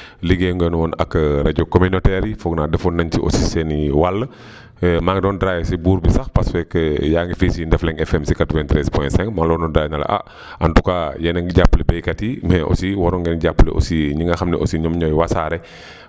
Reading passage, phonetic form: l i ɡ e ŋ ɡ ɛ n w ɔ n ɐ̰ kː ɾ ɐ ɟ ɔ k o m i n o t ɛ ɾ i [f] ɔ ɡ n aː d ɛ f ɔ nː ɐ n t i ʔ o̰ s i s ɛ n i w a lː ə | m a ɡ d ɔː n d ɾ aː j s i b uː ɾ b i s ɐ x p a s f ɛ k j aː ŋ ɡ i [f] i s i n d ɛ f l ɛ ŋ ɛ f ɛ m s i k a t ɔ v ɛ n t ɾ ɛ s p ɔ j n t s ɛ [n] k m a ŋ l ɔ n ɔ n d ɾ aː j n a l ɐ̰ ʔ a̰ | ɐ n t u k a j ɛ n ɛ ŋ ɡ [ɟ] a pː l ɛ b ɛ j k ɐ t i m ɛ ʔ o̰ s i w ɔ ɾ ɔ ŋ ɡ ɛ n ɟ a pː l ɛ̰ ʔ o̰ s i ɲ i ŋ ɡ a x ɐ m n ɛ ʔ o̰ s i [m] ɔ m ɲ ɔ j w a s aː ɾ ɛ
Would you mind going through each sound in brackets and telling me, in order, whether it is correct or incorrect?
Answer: correct, correct, incorrect: ŋ, correct, incorrect: ɲ

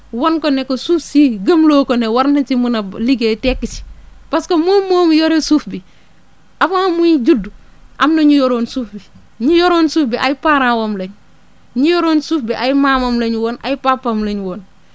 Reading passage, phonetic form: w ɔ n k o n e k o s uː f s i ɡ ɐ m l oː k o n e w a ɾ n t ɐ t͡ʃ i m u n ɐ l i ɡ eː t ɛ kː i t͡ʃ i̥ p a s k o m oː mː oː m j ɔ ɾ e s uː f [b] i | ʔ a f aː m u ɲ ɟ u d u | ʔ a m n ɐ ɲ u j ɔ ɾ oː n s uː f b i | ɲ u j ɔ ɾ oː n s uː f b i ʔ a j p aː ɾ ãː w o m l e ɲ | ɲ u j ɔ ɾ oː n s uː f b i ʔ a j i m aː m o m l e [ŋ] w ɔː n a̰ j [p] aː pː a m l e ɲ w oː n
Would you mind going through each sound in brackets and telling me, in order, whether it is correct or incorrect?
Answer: correct, incorrect: ɲ, correct

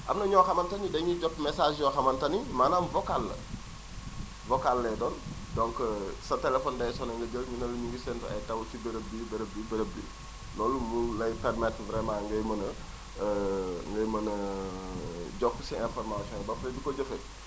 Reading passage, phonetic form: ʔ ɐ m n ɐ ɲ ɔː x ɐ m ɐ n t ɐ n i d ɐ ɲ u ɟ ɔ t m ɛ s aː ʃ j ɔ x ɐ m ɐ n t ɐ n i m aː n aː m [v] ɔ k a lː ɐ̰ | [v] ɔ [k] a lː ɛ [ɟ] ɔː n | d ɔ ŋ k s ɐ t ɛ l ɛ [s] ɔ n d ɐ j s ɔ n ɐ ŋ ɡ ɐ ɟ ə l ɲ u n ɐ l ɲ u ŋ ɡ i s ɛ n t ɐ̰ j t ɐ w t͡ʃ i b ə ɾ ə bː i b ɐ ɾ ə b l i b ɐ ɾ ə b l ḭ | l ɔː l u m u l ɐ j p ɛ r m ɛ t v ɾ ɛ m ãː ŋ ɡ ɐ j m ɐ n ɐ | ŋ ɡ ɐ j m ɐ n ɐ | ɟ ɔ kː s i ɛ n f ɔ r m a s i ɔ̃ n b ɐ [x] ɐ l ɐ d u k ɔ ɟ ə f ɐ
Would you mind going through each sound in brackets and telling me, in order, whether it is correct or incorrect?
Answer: correct, correct, correct, incorrect: d, incorrect: f, incorrect: f

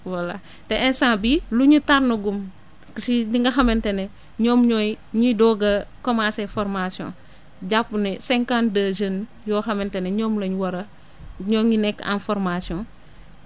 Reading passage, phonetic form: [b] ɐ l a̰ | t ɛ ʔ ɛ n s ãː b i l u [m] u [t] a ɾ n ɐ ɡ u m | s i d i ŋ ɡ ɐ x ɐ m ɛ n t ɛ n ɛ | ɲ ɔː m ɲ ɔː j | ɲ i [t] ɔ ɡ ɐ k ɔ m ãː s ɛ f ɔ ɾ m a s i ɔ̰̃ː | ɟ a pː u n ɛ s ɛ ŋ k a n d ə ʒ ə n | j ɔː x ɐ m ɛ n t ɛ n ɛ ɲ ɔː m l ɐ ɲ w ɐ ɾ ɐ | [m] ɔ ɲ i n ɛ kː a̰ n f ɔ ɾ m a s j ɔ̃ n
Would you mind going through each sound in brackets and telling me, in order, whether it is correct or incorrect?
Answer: incorrect: w, incorrect: ɲ, correct, incorrect: d, incorrect: ɲ

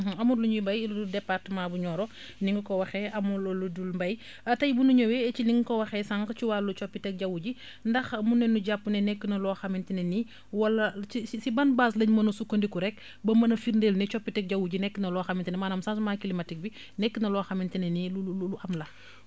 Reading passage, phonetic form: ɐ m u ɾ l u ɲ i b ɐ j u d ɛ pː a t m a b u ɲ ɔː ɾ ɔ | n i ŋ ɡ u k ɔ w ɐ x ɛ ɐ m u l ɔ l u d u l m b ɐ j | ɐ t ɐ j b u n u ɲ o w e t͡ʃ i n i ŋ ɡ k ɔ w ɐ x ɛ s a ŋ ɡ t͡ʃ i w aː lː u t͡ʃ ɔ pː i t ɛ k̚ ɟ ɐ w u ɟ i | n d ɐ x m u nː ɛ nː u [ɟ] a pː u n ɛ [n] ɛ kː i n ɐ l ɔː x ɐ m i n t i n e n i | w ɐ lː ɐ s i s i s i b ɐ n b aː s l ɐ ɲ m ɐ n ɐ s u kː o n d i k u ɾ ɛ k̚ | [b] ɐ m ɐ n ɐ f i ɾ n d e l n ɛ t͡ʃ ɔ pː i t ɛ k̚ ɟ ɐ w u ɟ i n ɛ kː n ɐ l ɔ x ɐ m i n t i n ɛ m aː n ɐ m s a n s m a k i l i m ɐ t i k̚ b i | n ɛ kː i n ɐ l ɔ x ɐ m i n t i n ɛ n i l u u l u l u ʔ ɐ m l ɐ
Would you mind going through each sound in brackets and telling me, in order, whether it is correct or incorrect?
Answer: correct, correct, correct

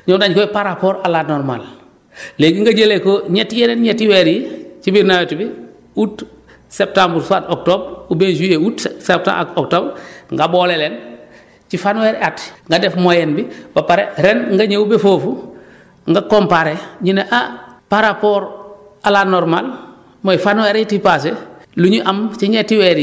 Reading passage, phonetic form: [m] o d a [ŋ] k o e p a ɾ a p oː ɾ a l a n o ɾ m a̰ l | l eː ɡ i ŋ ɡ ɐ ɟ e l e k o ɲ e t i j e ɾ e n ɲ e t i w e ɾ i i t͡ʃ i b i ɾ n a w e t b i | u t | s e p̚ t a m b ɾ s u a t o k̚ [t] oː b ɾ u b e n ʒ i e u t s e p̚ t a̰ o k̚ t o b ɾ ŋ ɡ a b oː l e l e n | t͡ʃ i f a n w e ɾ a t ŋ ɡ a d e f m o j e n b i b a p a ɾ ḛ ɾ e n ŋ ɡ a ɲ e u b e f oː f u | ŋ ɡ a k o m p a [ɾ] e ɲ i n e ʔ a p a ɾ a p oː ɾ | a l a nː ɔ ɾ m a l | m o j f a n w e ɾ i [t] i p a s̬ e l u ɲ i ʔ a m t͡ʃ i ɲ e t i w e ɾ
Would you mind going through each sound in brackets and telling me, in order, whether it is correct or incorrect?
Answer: incorrect: ɲ, incorrect: ɲ, correct, correct, correct

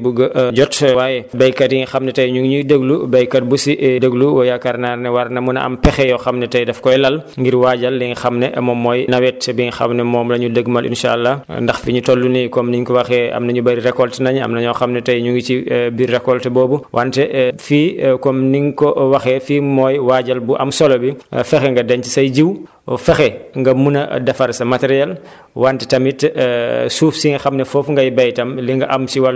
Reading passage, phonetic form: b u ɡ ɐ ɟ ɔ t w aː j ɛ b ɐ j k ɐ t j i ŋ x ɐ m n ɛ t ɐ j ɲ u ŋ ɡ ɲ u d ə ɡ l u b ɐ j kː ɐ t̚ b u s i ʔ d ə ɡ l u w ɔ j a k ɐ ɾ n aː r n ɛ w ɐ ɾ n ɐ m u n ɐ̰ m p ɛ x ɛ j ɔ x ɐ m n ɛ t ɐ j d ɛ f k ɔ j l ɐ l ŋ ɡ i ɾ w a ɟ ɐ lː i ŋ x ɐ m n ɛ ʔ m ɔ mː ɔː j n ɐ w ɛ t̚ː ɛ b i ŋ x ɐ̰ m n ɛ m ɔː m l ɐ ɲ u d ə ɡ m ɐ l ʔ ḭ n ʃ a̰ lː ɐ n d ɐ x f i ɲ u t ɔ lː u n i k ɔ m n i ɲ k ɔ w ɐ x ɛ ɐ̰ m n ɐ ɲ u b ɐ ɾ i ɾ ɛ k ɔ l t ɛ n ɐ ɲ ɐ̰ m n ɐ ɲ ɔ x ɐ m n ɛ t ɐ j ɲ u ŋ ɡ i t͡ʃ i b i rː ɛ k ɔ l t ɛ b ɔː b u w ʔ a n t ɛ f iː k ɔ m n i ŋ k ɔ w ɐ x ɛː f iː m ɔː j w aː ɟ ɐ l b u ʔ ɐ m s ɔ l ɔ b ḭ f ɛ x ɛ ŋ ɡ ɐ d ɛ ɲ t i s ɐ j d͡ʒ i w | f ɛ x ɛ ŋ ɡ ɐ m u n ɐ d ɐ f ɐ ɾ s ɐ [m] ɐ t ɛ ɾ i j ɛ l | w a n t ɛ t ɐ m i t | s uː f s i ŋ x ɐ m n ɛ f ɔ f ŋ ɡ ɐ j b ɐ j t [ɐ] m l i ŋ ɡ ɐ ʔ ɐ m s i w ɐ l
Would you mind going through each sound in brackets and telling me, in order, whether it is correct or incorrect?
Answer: correct, correct

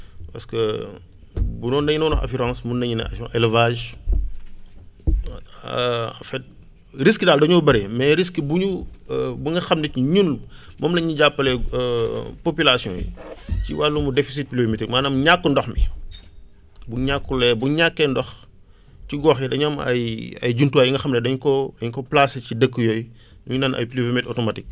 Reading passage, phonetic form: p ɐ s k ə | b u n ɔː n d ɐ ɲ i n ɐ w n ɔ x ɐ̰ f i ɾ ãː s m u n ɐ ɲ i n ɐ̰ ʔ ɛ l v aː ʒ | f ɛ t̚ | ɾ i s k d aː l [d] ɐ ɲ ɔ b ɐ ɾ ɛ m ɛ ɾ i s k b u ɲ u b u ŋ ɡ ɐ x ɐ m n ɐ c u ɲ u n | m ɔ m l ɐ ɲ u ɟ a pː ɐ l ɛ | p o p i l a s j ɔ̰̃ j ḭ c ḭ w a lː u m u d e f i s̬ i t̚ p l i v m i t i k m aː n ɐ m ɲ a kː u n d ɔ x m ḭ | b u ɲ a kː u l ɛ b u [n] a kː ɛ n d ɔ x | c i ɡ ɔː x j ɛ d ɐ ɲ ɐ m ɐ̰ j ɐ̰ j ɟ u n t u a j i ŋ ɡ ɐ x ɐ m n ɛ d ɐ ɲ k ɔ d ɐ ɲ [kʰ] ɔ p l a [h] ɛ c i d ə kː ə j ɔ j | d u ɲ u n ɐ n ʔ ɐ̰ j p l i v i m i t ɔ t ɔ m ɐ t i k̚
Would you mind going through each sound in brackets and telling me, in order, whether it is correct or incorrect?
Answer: correct, incorrect: ɲ, incorrect: k, incorrect: s

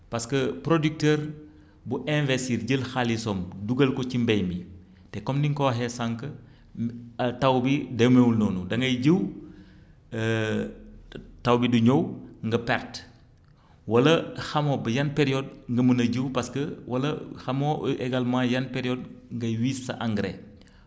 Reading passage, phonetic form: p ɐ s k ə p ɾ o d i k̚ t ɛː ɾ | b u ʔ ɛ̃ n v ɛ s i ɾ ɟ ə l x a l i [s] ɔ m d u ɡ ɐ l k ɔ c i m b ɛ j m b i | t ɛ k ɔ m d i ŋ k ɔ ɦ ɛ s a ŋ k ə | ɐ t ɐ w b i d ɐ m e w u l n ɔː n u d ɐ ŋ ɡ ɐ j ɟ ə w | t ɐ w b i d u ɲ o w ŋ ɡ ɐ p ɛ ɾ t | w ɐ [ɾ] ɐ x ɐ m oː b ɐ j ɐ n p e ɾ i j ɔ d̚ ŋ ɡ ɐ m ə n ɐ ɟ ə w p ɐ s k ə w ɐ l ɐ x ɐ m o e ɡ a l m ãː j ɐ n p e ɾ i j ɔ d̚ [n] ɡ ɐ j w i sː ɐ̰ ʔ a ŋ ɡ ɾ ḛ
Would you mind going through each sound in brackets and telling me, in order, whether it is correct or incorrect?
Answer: correct, incorrect: l, incorrect: ŋ

